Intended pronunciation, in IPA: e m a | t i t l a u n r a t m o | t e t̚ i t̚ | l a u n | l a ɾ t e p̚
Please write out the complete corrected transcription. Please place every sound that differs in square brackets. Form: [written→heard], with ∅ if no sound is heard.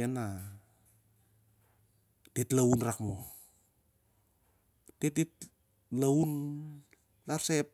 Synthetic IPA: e [m→n] a | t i t l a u n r a [t→k] m o | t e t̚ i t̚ | l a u n | l a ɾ [t→s] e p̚